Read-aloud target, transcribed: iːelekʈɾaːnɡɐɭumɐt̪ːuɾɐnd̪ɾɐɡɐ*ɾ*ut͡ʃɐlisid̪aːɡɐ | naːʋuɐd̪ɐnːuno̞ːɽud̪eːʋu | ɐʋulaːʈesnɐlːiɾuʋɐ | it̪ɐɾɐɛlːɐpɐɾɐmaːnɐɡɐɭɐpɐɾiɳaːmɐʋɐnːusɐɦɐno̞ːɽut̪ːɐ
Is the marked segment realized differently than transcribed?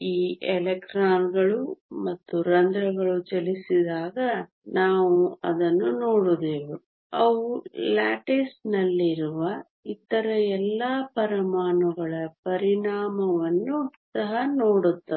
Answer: yes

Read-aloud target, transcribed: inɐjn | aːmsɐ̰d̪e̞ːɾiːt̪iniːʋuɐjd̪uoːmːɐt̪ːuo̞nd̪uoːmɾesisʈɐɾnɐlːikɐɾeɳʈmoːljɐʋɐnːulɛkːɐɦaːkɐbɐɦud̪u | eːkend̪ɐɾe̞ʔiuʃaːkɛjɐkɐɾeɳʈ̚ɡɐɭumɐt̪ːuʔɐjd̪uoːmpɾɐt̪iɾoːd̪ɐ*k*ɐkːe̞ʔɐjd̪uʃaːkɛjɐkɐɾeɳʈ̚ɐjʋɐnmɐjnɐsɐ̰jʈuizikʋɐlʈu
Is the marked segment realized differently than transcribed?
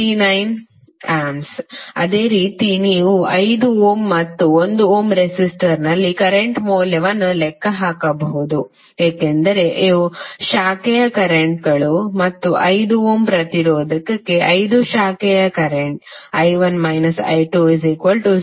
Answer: no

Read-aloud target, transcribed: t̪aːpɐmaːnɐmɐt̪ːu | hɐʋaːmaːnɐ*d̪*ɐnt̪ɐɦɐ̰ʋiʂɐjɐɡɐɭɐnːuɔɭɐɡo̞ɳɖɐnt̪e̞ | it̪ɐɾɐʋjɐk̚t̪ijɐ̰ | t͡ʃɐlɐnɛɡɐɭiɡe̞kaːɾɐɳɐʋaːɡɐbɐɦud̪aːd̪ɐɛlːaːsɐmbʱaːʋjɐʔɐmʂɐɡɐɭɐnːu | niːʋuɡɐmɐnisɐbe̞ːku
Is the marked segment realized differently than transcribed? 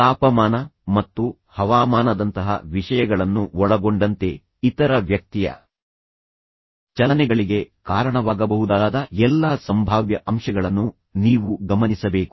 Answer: no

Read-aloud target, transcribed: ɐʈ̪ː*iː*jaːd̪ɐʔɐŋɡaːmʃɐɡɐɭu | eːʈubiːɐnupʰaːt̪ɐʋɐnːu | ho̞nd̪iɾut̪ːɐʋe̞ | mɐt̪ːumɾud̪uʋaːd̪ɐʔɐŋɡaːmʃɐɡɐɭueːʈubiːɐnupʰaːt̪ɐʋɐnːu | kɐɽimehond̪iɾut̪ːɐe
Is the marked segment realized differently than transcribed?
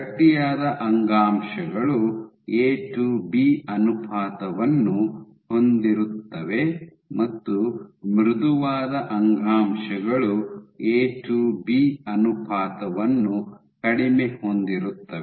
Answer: yes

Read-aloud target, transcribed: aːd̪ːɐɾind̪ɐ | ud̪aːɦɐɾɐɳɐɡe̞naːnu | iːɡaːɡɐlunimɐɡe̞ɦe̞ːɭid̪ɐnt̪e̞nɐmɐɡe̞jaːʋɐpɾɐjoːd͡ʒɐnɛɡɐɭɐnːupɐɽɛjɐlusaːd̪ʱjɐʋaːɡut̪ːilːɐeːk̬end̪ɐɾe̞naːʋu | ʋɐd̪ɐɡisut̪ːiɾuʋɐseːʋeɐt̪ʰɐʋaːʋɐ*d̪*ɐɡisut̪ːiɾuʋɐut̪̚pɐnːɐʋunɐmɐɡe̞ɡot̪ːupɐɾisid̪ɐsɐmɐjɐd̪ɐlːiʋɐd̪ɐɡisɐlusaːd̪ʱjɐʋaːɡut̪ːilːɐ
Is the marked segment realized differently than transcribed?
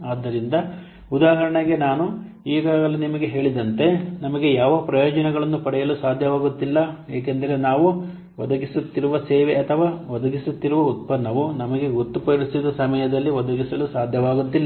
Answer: no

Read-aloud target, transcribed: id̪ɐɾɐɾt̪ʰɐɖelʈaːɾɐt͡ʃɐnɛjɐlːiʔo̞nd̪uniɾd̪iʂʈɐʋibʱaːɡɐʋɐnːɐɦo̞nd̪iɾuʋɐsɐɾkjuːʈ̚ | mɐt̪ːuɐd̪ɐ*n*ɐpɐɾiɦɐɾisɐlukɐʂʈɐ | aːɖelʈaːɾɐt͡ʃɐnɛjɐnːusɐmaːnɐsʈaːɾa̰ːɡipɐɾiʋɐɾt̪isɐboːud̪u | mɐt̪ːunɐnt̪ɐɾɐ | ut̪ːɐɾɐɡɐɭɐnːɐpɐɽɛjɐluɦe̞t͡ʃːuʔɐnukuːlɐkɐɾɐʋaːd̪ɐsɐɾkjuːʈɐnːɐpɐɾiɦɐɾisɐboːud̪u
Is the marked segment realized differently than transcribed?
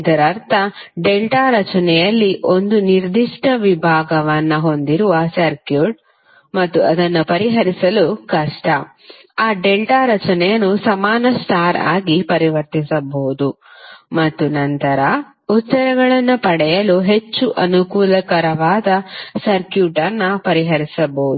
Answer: yes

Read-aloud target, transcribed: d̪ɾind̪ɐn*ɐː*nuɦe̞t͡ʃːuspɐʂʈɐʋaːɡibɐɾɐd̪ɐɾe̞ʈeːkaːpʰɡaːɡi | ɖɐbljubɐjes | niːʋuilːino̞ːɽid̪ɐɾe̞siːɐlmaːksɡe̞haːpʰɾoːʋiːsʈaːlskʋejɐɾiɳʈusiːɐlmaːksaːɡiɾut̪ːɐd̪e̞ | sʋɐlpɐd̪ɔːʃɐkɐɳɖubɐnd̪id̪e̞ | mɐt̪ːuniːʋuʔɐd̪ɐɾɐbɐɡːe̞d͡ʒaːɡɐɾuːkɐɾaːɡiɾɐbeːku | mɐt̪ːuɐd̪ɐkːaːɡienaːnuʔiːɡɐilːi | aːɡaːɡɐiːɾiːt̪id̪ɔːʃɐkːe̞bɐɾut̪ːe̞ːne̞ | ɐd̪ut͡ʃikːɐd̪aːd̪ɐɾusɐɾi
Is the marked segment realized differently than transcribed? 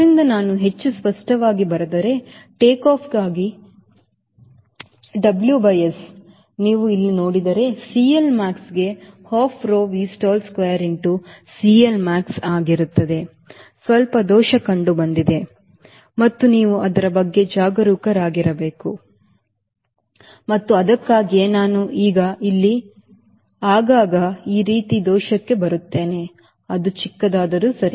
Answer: yes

